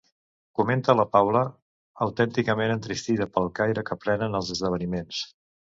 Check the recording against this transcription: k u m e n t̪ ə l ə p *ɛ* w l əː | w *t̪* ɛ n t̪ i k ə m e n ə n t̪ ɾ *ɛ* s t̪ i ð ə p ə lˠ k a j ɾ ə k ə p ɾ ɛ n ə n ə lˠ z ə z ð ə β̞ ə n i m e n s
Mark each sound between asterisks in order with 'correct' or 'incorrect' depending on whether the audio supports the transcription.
incorrect: a, correct, incorrect: i

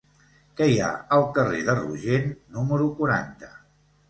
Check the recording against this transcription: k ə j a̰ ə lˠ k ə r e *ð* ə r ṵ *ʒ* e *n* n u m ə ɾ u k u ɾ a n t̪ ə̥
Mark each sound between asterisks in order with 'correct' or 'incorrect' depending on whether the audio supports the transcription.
correct, correct, correct

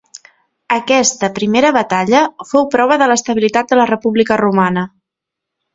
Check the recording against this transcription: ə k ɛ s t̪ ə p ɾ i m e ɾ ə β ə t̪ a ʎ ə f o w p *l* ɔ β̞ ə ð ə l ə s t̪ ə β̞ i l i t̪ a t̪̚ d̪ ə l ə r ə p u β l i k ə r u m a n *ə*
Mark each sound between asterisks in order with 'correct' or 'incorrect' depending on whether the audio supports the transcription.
incorrect: ɾ, correct

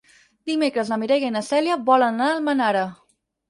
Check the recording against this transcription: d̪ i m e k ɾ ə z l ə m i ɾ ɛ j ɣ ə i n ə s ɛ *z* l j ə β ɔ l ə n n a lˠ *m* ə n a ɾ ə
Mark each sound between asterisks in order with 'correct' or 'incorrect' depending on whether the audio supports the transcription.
incorrect: none, correct

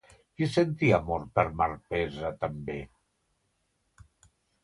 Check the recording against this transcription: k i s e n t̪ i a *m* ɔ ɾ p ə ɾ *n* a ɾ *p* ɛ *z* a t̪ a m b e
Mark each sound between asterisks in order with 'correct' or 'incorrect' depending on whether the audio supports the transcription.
correct, incorrect: m, correct, correct

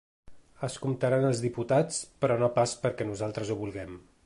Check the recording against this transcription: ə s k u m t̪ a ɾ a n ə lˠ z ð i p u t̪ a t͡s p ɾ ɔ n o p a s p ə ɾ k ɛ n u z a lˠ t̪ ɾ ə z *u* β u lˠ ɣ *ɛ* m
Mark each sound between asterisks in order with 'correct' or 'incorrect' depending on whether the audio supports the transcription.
correct, correct

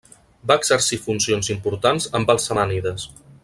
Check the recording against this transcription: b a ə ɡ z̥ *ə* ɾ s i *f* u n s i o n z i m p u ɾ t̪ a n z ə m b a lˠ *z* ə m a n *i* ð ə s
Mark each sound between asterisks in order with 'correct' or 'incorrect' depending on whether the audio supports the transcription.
correct, correct, incorrect: s, correct

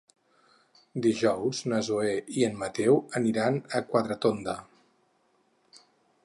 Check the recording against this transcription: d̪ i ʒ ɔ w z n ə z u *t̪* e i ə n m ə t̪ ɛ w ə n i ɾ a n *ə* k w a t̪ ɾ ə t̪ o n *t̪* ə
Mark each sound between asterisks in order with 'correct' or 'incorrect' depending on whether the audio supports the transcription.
incorrect: none, correct, incorrect: d̪

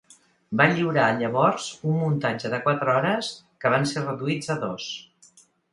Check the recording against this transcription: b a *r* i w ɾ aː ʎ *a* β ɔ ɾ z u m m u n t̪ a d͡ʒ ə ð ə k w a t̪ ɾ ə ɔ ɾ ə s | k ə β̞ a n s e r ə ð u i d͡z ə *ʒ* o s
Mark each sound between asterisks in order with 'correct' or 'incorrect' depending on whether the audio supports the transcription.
incorrect: ʎ, incorrect: ə, incorrect: ð

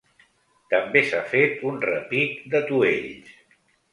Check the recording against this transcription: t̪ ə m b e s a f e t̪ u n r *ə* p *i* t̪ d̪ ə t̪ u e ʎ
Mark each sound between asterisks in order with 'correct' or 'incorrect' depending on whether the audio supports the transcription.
correct, correct

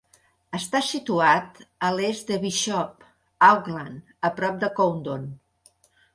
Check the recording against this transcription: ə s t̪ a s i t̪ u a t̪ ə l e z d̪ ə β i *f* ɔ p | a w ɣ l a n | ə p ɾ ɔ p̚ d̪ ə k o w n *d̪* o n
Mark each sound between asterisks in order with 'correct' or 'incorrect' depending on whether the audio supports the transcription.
incorrect: ʃ, correct

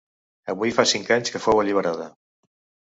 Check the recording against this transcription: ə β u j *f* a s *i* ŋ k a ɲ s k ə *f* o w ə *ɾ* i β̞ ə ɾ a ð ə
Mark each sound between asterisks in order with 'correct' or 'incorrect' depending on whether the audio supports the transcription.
correct, correct, correct, incorrect: ʎ

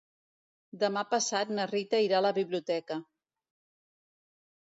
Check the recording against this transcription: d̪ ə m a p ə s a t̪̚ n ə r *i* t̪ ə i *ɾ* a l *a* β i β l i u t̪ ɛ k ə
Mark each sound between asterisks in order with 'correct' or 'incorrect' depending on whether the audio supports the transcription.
correct, correct, incorrect: ə

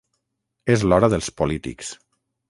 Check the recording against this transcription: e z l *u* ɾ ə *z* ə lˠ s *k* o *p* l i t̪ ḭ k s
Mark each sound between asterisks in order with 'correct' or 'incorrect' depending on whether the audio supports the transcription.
incorrect: ɔ, incorrect: ð, incorrect: p, incorrect: none

